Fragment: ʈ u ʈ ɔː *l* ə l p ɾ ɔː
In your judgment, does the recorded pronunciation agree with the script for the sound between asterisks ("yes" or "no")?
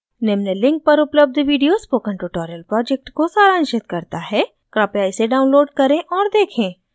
no